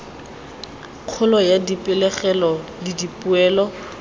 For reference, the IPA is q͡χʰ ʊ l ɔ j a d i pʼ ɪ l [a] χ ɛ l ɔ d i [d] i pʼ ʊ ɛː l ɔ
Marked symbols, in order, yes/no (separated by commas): no, yes